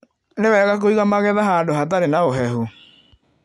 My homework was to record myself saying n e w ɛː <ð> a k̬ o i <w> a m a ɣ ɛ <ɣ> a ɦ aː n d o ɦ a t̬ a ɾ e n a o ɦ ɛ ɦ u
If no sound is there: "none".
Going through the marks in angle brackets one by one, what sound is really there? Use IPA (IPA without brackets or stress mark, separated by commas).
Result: ɣ, ɣ, ð